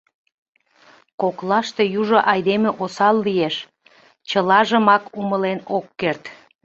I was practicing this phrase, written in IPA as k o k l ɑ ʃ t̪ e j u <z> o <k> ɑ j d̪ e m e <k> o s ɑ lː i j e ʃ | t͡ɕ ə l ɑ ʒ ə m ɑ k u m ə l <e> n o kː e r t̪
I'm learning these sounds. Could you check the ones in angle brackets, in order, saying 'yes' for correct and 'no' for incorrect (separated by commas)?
no, no, no, yes